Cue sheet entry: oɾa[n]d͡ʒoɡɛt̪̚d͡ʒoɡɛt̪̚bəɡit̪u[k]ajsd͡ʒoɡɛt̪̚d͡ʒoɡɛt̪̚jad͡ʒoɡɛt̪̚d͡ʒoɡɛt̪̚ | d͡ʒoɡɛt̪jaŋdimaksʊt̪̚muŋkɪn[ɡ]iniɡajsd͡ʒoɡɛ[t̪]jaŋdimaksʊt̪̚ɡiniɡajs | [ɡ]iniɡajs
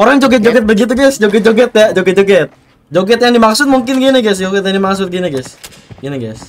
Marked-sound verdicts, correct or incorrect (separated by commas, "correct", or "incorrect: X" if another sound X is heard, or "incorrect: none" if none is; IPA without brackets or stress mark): incorrect: ŋ, incorrect: ɡ, correct, correct, correct